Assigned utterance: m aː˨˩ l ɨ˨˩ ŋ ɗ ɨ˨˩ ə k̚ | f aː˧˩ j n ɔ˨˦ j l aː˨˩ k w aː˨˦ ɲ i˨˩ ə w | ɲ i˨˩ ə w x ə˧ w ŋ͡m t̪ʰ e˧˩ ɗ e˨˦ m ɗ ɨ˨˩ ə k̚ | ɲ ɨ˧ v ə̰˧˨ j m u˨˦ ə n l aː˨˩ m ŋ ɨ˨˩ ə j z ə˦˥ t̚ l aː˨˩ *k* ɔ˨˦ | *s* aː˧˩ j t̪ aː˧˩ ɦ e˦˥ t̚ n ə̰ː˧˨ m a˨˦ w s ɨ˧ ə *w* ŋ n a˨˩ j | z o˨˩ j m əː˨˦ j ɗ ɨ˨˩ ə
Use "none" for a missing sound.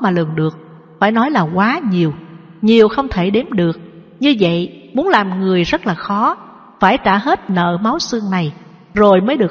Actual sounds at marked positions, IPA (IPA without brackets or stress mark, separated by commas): x, f, none